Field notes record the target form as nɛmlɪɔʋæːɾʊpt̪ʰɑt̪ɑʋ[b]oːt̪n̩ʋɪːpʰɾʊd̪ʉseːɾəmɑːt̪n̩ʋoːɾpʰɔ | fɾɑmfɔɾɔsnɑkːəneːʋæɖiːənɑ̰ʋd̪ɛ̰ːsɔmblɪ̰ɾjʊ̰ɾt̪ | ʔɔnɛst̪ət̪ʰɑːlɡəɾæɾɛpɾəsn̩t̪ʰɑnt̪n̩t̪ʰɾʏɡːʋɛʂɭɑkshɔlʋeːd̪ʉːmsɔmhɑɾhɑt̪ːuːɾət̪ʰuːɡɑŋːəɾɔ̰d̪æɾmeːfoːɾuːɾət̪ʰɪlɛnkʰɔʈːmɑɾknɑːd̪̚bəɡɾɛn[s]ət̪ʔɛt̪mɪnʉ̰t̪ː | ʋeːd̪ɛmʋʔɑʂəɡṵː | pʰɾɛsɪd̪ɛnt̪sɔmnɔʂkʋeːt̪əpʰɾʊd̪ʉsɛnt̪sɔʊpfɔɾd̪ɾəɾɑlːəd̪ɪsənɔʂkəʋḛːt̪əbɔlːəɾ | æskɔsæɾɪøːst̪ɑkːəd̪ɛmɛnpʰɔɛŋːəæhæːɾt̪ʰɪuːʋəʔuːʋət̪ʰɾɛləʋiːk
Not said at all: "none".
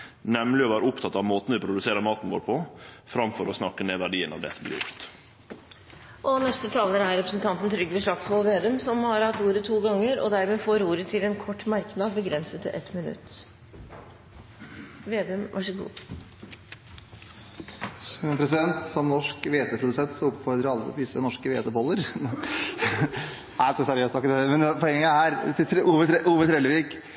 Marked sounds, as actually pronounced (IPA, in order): m, s

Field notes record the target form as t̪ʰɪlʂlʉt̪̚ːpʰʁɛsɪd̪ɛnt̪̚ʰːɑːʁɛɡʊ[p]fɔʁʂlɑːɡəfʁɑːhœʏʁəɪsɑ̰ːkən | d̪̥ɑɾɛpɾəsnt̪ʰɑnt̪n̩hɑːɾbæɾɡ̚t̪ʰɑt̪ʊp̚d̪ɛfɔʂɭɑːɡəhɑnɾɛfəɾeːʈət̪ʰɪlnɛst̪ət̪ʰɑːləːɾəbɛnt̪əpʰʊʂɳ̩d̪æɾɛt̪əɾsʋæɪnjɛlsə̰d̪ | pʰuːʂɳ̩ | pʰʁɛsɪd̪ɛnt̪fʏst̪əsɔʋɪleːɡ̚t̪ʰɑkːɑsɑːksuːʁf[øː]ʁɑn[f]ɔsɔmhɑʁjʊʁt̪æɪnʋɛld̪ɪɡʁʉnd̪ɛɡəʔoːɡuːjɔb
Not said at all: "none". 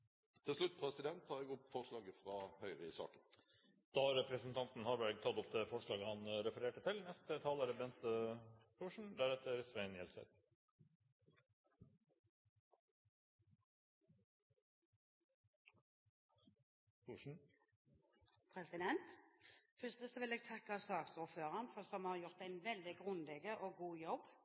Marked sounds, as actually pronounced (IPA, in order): p, øː, f

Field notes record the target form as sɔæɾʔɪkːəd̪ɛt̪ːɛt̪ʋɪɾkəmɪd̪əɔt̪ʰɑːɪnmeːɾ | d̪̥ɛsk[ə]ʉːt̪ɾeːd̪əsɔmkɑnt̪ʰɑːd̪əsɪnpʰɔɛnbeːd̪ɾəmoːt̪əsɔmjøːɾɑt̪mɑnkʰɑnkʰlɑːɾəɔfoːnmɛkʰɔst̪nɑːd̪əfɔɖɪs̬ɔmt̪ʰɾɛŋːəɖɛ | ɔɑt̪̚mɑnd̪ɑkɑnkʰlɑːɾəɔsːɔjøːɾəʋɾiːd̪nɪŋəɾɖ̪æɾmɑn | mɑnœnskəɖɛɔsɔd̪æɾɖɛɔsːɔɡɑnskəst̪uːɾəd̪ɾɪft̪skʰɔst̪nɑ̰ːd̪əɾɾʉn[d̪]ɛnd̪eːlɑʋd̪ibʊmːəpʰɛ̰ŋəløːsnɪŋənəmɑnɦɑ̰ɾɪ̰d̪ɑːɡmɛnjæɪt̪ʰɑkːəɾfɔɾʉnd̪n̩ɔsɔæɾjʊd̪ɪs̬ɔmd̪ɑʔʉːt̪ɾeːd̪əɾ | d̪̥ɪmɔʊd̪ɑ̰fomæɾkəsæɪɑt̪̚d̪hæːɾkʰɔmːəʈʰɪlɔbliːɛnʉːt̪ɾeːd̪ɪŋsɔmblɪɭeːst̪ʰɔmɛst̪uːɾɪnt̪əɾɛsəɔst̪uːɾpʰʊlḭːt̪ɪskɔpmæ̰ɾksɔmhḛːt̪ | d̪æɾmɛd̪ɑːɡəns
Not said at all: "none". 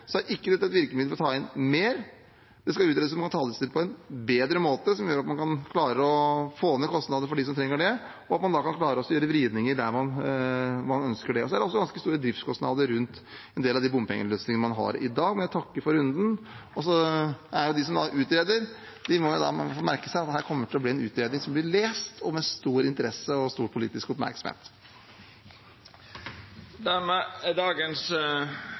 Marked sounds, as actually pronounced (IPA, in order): ɑ, t̪

